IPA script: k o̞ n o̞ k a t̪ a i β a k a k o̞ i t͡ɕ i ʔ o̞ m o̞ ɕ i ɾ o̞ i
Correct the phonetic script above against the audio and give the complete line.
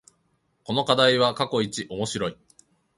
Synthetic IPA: k o̞ n o̞ k a d̪ a i β a k a k o̞ i t͡ɕ i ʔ o̞ m o̞ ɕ i ɾ o̞ i

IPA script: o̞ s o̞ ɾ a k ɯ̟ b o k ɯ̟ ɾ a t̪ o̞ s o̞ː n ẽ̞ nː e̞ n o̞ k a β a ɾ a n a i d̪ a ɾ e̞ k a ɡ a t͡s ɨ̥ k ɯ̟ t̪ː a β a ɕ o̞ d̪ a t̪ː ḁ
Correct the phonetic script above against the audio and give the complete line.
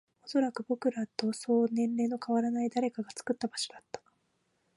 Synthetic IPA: o̞ s o̞ ɾ a k ɯ̟ b o k ɯ̟ ɾ a t̪ o̞ s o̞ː n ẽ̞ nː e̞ n o̞ k a β a ɾ a n a i d̪ a ɾ e̞ k a ɡ a t͡s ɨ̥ k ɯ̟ t̪ː a b a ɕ o̞ d̪ a t̪ː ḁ

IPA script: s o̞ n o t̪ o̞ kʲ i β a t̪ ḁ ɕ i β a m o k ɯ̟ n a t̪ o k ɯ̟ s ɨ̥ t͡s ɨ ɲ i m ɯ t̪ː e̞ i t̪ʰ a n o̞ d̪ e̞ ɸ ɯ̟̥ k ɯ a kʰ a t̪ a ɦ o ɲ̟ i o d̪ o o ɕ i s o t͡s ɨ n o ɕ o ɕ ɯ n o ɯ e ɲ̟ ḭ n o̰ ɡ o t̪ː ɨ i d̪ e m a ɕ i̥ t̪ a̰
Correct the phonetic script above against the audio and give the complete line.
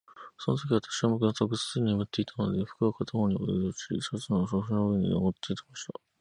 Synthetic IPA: s o̞ n o t̪ o̞ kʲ i β a t̪ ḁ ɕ i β a m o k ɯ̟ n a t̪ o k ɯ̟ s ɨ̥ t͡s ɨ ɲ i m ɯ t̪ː e̞ i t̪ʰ a n o̞ d̪ e̞ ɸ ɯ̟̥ k ɯ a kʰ a t̪ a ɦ o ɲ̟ i o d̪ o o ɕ i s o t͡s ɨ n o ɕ o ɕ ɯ n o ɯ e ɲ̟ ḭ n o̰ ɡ o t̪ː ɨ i t̪ e m a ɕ i̥ t̪ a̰

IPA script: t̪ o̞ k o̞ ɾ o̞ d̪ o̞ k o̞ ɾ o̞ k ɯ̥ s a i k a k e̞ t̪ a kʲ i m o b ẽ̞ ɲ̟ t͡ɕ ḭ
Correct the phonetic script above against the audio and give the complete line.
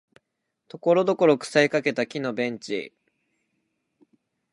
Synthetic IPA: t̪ o̞ k o̞ ɾ o̞ d̪ o̞ k o̞ ɾ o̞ k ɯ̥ s a i k a k e̞ t̪ a kʲ i n o b ẽ̞ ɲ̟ t͡ɕ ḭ

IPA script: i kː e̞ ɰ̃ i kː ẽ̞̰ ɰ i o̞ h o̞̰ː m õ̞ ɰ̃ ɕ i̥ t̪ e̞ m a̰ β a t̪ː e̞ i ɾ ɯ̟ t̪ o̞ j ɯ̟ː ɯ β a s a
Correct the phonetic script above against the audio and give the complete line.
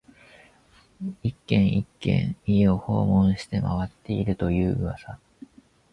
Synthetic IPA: i kː ẽ̞ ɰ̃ i kː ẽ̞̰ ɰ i o̞ h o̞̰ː m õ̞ ɰ̃ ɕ i̥ t̪ e̞ m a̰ β a t̪ː e̞ i ɾ ɯ̟ t̪ o̞ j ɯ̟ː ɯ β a s a

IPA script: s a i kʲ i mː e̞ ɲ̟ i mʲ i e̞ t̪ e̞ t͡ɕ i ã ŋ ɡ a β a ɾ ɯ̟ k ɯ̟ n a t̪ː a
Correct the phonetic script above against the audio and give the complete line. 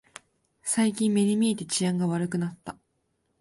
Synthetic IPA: s a i kʲ ĩ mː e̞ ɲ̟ i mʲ i e̞ t̪ e̞ t͡ɕ i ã ŋ ɡ a β a ɾ ɯ̟ k ɯ̟ n a t̪ː a

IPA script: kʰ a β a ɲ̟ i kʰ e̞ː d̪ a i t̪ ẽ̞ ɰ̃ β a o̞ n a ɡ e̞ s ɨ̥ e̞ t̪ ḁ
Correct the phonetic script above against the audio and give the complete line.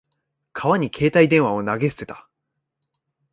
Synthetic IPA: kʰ a β a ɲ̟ i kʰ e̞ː t̪ a i d̪ ẽ̞ ɰ̃ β a o̞ n a ɡ e̞ s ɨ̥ e̞ t̪ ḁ

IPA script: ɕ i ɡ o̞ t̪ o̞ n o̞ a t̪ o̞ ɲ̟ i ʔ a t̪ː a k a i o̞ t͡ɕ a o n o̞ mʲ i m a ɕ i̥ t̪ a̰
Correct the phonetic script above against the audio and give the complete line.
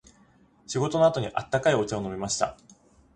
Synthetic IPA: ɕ i ɡ o̞ t̪ o̞ n o̞ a t̪ o̞ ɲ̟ i ʔ a t̪ː a k a i o̞ t͡ɕ a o n o̞ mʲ i m a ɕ i̥ t̪ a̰

